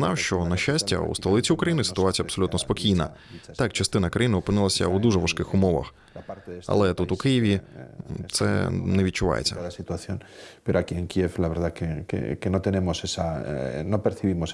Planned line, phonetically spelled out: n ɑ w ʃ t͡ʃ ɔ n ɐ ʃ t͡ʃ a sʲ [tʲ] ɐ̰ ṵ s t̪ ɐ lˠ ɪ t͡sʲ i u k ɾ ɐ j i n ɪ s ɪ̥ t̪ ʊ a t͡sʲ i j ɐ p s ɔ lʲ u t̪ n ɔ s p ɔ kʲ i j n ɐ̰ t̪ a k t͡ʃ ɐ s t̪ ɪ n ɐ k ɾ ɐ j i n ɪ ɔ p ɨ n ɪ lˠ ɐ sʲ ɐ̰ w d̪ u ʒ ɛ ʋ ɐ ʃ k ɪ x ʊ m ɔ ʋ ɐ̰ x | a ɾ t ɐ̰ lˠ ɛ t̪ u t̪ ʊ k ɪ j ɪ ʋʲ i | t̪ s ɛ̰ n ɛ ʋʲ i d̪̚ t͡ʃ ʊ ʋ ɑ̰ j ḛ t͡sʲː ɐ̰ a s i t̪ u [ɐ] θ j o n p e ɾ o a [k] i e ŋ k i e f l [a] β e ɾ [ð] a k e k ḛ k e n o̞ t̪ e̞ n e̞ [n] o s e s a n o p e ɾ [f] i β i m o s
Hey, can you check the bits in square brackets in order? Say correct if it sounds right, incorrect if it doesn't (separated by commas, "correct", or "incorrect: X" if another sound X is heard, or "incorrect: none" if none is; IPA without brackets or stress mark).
correct, incorrect: a, correct, correct, correct, incorrect: m, incorrect: θ